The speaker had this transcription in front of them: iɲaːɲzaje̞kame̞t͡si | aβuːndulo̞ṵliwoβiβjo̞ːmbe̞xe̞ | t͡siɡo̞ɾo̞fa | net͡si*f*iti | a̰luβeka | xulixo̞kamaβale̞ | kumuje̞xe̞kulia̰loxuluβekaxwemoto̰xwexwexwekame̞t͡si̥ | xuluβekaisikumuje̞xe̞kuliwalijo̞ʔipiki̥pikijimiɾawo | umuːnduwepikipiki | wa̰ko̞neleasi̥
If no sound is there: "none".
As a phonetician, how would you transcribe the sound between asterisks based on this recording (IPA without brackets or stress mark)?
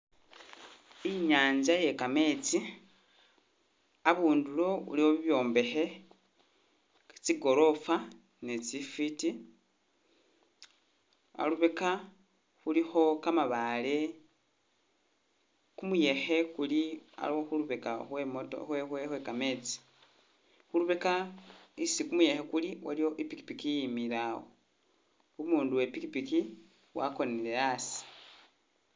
f